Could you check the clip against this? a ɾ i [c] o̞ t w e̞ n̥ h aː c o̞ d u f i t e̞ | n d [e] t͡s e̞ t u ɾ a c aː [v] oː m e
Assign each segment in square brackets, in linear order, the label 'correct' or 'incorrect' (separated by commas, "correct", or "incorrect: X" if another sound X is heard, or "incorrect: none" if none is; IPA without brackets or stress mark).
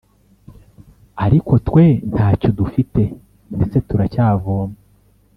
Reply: incorrect: k, correct, correct